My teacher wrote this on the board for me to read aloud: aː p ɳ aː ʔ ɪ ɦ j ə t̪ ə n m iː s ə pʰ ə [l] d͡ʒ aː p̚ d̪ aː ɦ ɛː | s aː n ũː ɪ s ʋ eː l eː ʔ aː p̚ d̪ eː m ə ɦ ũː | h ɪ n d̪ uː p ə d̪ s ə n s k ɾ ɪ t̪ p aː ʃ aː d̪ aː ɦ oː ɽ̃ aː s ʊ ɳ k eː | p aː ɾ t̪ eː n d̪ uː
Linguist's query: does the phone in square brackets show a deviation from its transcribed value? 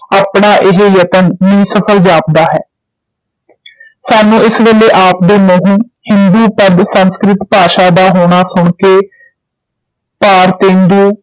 no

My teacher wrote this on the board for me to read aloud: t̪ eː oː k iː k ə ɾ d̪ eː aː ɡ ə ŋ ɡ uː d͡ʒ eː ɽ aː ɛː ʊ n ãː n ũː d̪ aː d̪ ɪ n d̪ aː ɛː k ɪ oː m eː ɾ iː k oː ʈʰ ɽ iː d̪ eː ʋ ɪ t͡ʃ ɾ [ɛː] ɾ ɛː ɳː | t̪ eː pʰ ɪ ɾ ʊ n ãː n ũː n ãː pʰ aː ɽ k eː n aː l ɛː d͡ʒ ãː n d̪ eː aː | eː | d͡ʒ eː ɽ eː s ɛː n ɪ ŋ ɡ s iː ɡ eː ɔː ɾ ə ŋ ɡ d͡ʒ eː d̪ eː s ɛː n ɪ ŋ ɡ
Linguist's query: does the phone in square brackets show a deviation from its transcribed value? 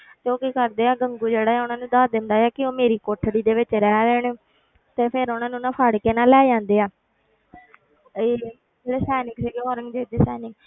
no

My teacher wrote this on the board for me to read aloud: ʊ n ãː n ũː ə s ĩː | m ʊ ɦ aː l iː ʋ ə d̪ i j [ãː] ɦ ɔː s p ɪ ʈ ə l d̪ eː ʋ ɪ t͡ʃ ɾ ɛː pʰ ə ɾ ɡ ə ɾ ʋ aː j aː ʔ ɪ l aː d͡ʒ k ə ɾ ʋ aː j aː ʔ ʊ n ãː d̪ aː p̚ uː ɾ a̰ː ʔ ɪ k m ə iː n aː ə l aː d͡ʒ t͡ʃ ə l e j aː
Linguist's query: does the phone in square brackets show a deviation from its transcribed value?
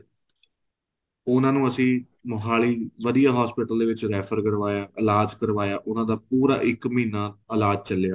yes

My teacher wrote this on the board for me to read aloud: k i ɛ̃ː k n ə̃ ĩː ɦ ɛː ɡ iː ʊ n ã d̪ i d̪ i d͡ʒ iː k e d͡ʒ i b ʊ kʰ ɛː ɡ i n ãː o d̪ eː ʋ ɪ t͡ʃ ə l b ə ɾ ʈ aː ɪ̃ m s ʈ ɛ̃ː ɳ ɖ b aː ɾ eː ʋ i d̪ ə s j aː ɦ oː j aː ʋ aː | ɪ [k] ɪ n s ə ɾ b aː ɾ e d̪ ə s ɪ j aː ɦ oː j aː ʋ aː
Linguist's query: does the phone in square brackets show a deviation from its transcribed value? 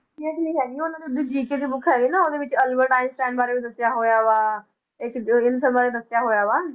no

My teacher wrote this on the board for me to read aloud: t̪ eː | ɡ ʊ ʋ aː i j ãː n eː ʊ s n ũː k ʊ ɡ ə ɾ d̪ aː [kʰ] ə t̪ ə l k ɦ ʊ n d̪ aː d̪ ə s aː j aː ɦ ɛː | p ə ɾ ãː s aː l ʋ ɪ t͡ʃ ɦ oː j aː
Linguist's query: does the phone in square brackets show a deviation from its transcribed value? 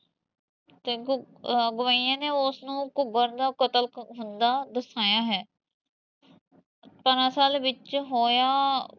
yes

